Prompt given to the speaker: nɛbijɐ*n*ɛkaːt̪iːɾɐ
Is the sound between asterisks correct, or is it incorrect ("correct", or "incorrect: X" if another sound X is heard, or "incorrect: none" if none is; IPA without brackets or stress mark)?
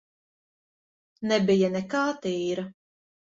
correct